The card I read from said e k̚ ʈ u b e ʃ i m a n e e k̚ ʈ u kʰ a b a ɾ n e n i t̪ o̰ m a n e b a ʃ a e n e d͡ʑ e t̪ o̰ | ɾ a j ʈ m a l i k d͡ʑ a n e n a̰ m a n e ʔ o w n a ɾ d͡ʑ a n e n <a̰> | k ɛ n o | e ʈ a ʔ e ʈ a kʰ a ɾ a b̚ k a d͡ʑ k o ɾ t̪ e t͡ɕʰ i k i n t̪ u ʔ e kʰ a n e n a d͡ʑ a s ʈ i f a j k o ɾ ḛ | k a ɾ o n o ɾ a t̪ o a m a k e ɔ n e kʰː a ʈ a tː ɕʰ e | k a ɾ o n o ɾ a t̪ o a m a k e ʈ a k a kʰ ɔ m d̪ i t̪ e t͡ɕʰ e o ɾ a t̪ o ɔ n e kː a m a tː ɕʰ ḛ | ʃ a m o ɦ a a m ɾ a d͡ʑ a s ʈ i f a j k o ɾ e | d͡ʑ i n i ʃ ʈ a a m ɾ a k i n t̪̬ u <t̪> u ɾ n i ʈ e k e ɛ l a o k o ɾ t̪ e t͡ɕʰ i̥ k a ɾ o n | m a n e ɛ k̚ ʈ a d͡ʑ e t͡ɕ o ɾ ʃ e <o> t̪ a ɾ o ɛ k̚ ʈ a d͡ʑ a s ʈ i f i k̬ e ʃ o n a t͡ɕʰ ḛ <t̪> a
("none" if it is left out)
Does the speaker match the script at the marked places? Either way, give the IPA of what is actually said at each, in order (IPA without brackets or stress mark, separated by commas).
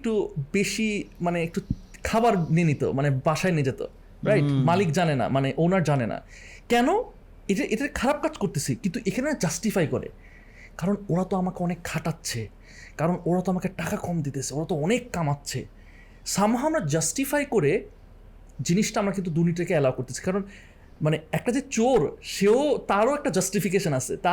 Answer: a̰, d̪, o, t̪